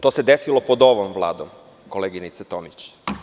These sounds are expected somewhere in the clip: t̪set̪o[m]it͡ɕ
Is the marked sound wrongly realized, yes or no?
no